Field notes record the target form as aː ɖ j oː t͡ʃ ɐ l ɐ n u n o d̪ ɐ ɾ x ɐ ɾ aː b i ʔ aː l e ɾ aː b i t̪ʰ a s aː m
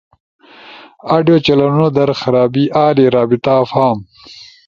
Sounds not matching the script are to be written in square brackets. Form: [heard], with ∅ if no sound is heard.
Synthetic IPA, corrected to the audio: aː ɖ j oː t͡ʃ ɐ l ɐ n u n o d̪ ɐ ɾ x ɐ ɾ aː b i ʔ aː l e ɾ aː b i [t̪] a [f] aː m